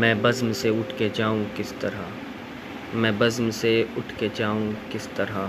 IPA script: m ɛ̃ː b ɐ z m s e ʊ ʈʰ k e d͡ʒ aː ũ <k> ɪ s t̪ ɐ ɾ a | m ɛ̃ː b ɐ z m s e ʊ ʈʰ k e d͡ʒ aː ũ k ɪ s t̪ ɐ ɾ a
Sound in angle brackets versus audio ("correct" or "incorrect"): correct